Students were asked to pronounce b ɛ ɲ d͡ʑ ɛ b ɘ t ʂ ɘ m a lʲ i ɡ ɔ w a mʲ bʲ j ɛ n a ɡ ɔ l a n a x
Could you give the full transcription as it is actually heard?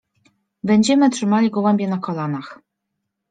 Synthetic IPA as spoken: b ɛ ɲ d͡ʑ ɛ m ɘ t ʂ ɘ m a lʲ i ɡ ɔ w ɛ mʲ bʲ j ɛ n a k ɔ l a n a x